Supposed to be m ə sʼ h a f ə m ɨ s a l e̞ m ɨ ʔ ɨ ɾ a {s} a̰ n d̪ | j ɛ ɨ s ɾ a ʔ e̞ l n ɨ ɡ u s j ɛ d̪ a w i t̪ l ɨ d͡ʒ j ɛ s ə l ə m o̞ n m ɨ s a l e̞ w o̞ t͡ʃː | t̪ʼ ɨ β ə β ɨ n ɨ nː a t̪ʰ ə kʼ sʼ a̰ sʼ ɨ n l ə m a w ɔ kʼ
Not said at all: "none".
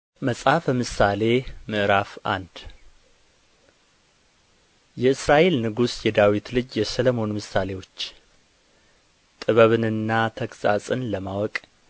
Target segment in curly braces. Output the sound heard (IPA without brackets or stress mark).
f